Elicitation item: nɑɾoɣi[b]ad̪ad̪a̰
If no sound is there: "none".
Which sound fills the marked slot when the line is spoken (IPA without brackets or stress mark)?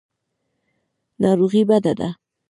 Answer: b